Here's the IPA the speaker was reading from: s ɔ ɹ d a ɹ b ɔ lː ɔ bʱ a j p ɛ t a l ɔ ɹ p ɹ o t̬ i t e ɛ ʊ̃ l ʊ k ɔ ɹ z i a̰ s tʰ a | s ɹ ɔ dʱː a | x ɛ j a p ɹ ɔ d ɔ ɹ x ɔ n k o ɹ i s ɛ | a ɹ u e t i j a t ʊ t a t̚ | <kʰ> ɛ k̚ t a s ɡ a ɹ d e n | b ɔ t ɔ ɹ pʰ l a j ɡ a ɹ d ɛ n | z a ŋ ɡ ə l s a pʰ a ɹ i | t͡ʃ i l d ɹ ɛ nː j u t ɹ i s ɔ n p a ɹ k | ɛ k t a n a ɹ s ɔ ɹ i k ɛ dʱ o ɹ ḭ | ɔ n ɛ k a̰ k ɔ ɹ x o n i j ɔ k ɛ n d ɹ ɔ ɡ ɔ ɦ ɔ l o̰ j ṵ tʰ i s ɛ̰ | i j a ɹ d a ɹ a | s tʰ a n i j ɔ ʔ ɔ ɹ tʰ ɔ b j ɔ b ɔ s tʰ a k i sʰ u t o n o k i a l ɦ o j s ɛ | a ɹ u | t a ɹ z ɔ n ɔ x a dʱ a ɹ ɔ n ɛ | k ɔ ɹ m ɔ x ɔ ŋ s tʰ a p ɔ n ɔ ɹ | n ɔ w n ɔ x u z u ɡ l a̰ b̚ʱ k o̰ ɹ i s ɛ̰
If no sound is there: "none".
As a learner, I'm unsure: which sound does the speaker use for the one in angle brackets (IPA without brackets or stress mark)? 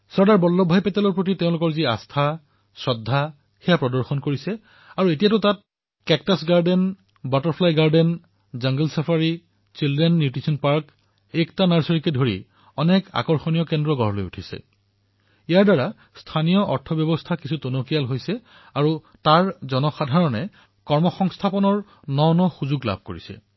k